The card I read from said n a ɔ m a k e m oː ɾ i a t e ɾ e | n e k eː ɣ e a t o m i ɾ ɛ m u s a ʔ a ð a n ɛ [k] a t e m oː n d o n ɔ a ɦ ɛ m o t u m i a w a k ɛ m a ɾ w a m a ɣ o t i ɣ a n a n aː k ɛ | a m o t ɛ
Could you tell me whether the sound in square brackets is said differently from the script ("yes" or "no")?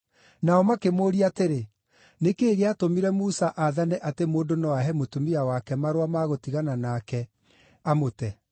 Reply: yes